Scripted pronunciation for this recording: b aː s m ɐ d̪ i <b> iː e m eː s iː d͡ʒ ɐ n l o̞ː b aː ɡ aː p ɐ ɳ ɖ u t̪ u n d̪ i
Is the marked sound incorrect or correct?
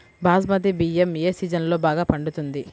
correct